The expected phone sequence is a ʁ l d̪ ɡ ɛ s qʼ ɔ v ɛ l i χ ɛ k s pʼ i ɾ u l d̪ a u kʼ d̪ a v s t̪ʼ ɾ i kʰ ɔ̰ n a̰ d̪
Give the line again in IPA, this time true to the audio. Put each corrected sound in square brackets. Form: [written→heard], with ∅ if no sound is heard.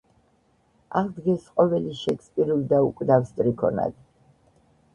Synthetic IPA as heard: a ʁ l d̪ ɡ ɛ s qʼ ɔ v ɛ l i [χ→ʃ] ɛ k s pʼ i ɾ u l d̪ a u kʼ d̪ a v s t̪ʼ ɾ i kʰ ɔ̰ n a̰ d̪

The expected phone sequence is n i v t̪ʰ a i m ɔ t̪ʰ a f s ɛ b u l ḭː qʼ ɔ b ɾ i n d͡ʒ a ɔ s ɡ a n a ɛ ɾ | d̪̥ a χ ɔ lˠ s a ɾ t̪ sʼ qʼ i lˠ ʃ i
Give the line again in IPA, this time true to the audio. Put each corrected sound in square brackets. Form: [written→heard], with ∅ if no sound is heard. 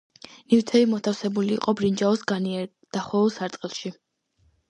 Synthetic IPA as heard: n i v t̪ʰ [a→ɛ] i m ɔ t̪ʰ a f s ɛ b u l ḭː qʼ ɔ b ɾ i n d͡ʒ a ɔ s ɡ a n [a→i] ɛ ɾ | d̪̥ a χ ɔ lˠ s a ɾ t̪ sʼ qʼ i lˠ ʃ i

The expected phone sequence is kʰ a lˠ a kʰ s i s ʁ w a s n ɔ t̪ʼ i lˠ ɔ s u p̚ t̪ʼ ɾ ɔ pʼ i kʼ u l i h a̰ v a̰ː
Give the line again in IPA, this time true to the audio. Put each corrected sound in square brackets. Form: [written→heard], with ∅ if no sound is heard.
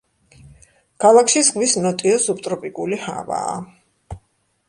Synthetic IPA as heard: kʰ a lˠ a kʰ [s→ʃ] i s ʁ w [a→i] s n ɔ t̪ʼ i [lˠ→∅] ɔ s u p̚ t̪ʼ ɾ ɔ pʼ i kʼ u l i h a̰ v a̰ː

